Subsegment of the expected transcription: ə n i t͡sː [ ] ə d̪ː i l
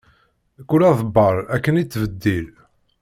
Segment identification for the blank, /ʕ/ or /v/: v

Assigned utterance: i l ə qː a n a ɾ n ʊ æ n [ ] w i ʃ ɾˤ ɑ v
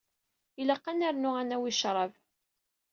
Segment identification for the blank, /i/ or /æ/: æ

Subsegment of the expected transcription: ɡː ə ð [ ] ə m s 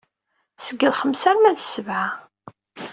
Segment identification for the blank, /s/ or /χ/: χ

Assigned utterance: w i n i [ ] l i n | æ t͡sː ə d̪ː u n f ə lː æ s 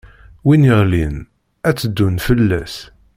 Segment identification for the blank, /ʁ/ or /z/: ʁ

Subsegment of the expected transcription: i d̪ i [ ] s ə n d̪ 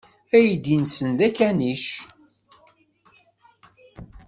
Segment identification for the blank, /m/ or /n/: n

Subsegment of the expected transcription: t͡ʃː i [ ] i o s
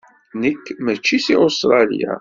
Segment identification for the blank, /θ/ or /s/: s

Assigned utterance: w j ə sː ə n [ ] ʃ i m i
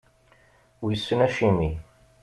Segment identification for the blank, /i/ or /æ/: æ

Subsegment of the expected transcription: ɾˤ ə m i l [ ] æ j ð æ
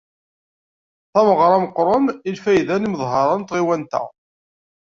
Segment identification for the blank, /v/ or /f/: f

